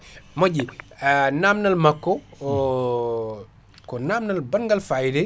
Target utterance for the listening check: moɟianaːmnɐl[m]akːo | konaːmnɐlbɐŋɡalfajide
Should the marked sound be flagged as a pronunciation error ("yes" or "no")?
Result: no